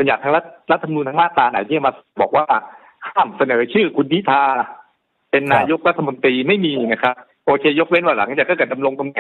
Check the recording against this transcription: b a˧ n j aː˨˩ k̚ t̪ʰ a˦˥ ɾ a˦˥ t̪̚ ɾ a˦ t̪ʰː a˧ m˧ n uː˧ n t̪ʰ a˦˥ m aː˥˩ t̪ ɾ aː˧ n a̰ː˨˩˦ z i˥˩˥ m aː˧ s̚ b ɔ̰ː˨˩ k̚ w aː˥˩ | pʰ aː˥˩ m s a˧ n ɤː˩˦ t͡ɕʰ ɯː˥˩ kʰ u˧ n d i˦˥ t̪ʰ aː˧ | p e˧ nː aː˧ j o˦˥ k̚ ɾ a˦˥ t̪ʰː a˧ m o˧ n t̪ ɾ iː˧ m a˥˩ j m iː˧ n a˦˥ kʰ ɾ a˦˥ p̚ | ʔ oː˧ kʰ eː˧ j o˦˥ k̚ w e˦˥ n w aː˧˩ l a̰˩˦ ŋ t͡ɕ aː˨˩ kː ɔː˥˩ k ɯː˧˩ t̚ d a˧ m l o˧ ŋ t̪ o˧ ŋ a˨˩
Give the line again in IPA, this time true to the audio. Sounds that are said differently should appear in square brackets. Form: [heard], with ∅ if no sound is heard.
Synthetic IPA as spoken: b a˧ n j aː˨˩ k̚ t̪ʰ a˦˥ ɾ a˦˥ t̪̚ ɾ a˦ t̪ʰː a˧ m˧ n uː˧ n t̪ʰ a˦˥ m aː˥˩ t̪ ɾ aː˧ n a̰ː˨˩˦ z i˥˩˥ m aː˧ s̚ b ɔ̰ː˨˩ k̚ w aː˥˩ | [kʰ] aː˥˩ m s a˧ n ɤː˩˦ t͡ɕʰ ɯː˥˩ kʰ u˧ n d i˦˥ t̪ʰ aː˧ | p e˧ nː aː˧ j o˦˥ k̚ ɾ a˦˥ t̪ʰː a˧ m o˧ n t̪ ɾ iː˧ m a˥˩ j m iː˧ n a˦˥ kʰ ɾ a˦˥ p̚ | ʔ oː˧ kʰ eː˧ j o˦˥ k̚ w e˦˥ n w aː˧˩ l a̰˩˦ ŋ t͡ɕ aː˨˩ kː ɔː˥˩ k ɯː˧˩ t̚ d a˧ m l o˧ ŋ t̪ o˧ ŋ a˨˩